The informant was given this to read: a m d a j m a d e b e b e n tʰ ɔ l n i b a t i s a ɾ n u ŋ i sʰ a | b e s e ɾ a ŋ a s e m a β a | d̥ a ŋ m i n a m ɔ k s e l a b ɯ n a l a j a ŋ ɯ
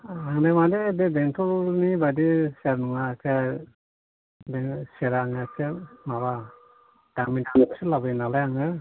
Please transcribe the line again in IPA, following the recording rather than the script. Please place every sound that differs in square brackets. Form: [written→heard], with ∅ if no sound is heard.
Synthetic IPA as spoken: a [m→ŋ] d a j m a d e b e b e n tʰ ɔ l n i b a [t→d] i s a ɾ n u ŋ [i→a] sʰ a | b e s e ɾ a ŋ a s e m a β a | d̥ a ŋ m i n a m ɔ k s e l a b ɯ n a l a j a ŋ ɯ